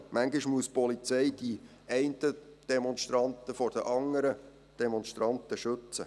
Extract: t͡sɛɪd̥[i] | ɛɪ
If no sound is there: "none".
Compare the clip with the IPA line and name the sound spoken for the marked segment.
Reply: i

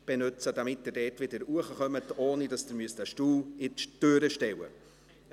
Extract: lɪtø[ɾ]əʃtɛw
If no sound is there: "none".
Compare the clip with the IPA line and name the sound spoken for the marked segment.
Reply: ɾ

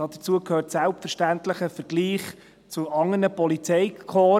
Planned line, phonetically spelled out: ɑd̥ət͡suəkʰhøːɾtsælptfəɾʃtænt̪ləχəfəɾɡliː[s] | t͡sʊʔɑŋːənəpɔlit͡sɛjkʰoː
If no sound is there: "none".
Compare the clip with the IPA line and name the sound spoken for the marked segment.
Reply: χ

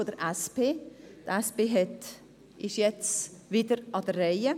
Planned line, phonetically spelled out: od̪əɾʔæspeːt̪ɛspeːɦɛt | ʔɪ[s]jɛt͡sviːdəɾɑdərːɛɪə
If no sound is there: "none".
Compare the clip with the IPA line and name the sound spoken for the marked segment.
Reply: ʃ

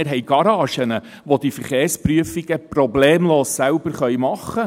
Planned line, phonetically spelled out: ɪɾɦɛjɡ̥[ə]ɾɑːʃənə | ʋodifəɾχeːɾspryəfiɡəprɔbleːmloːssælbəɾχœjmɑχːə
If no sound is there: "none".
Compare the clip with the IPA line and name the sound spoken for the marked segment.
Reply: ɑ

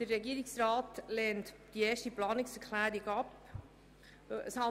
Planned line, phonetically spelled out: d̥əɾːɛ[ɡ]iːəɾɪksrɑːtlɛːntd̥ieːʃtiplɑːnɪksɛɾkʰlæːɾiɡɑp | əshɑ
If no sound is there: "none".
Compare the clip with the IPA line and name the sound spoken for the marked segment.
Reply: ɡ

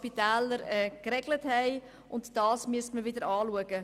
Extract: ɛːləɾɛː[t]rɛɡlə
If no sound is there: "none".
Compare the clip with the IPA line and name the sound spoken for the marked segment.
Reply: k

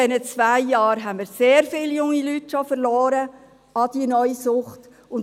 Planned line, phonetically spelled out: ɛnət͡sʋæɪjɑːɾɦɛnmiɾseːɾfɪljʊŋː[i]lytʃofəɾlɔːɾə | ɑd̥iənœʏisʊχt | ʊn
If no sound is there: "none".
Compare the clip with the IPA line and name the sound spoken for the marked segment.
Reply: i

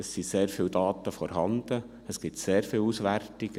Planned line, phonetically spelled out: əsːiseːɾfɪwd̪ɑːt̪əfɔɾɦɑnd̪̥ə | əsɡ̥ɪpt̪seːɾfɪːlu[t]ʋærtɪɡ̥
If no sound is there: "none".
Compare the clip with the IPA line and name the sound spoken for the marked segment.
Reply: s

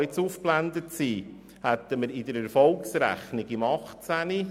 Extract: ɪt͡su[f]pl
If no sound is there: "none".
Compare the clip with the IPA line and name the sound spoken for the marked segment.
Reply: f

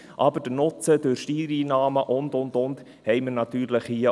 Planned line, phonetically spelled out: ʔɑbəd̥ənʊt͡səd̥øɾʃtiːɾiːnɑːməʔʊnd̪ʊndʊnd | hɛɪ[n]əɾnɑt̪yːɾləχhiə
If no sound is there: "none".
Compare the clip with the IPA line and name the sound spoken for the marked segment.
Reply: m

